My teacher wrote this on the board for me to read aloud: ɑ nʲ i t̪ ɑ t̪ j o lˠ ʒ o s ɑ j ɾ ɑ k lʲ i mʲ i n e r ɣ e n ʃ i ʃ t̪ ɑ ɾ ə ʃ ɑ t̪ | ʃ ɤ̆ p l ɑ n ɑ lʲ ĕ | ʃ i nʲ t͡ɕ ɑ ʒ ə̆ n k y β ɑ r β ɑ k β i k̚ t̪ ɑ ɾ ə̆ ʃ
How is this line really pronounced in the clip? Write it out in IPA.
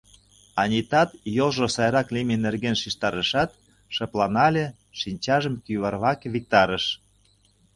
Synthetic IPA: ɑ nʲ i t̪ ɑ t̪ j o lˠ ʒ o s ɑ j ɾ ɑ k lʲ i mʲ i n e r ɣ e n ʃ i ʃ t̪ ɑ ɾ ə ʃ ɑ t̪ | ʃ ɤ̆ p l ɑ n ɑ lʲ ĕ | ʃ i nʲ t͡ɕ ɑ ʒ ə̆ m k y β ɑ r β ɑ k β i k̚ t̪ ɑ ɾ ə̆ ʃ